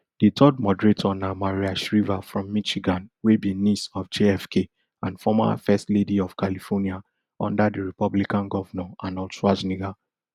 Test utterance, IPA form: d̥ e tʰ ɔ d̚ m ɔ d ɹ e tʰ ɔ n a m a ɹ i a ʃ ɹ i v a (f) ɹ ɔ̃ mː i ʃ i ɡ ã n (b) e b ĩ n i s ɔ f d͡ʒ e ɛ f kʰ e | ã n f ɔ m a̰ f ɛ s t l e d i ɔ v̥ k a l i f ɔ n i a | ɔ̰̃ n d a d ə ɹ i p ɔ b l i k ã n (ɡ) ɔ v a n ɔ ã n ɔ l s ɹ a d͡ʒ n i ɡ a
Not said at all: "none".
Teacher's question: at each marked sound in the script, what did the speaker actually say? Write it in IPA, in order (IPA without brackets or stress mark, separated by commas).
f, w, ɡ